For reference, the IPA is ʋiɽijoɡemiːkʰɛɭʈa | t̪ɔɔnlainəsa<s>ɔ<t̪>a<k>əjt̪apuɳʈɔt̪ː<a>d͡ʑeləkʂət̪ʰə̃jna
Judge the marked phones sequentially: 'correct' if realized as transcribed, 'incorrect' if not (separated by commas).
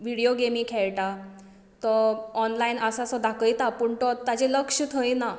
correct, incorrect, correct, correct